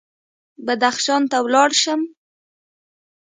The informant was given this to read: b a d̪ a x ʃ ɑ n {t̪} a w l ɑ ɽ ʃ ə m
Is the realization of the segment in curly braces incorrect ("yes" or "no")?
no